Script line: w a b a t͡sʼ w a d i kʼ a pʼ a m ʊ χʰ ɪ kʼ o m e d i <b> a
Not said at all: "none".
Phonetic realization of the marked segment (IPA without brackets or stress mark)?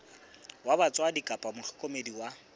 w